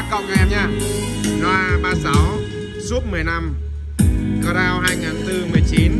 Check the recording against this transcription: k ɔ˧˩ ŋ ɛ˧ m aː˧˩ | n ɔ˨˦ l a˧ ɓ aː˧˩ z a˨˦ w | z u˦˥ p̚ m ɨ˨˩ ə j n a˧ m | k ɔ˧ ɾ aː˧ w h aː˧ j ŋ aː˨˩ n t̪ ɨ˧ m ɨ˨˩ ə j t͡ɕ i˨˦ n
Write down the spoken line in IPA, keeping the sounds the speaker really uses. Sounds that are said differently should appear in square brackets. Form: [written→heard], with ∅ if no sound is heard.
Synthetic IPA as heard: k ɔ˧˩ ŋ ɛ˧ [m→ɲ] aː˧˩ | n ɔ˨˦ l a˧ ɓ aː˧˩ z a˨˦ w | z u˦˥ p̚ m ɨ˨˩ ə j n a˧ m | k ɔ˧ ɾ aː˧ w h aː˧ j ŋ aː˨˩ n t̪ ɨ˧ m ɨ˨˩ ə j t͡ɕ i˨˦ n